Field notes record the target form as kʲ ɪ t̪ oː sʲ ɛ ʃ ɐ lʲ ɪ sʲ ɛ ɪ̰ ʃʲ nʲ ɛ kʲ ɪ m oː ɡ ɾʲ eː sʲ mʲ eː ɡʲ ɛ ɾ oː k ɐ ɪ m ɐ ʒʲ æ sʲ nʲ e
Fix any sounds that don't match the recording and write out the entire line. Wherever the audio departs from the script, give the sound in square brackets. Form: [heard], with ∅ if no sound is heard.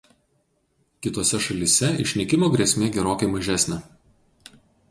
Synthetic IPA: kʲ ɪ t̪ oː sʲ ɛ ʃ ɐ lʲ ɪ sʲ ɛ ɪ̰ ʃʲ nʲ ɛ kʲ ɪ m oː ɡ ɾʲ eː sʲ mʲ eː ɡʲ ɛ ɾ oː k ɐ ɪ m ɐ ʒʲ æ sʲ nʲ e